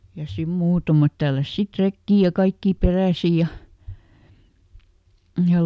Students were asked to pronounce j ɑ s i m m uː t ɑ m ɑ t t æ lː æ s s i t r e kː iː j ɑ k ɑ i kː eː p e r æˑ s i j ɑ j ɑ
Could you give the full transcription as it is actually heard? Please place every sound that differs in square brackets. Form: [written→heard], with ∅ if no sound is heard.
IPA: j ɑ s i m m uː t ɑ m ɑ t t æ lː æ s s i t r e kː iː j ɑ k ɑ i kː [eː→iː] p e r æˑ s i j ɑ j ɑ